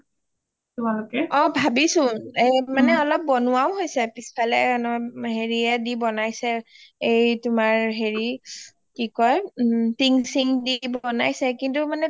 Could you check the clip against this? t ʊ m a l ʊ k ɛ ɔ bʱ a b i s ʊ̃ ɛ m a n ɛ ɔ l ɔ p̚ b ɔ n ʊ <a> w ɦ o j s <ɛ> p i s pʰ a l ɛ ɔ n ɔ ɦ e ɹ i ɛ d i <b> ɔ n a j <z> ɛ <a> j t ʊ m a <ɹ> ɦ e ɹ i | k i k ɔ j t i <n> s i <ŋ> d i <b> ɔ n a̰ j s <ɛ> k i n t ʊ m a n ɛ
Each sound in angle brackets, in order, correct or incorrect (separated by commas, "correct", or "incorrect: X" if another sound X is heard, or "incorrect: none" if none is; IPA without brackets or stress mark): correct, correct, correct, incorrect: s, incorrect: e, correct, incorrect: ŋ, correct, correct, correct